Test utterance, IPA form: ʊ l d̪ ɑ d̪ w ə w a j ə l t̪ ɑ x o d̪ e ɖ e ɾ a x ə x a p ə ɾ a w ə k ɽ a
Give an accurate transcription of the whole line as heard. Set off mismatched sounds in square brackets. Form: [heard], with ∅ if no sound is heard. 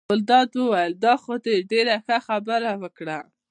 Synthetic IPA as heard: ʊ l d̪ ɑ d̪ w ə w a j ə l [d̪] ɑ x o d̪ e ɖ e ɾ a x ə x a [b] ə ɾ a w ə k ɽ a

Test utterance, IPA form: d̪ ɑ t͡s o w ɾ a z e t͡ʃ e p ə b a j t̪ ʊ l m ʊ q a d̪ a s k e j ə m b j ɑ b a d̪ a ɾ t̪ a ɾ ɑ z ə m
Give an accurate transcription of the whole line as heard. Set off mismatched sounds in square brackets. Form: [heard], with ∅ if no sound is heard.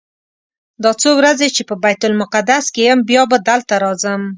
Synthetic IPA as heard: d̪ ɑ t͡s o w ɾ a z e t͡ʃ e p ə b a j t̪ ʊ l m ʊ q a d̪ a s k e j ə m b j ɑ b a d̪ a [l] t̪ a ɾ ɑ z ə m

